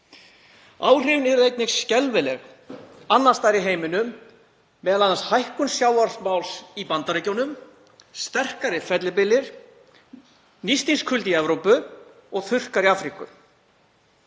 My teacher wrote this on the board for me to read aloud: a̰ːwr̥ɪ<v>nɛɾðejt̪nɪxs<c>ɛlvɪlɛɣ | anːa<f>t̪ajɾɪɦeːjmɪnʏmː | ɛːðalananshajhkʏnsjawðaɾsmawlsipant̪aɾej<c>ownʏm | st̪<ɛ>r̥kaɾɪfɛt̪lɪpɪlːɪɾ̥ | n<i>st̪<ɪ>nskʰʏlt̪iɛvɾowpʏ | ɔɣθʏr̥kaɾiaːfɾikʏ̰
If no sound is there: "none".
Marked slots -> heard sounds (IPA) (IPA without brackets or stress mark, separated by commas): v, c, s, c, ɛ, i, i